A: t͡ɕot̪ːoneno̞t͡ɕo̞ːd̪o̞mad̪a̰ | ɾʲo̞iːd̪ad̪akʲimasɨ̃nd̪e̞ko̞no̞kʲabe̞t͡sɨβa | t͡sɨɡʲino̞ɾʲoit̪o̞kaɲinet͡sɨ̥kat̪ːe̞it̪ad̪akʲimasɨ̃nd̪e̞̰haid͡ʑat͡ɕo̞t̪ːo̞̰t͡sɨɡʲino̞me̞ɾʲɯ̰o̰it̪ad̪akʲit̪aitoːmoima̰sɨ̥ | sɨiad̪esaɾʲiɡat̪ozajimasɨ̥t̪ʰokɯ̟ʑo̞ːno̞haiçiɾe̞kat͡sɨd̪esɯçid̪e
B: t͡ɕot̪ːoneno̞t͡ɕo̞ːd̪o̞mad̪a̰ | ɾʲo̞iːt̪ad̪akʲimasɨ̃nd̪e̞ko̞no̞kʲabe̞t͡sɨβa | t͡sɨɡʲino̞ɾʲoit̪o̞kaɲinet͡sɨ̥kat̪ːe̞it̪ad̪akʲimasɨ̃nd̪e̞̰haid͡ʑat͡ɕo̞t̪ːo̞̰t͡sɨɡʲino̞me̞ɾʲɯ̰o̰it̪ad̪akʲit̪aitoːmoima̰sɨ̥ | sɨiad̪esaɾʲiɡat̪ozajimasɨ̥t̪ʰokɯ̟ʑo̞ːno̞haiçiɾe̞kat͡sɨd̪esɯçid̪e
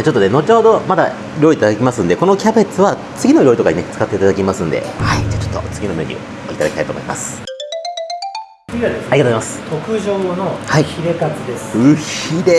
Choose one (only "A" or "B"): B